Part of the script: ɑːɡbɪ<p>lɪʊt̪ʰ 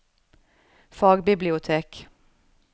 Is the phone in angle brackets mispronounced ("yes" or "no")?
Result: yes